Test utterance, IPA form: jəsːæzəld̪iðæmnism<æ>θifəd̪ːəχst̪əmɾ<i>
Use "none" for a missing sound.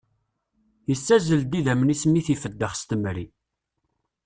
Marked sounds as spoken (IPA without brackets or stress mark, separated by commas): i, i